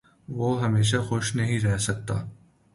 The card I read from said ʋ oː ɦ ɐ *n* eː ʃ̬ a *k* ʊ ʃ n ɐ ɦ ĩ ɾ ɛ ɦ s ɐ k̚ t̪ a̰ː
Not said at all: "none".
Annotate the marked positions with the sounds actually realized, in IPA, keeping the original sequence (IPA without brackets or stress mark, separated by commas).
m, x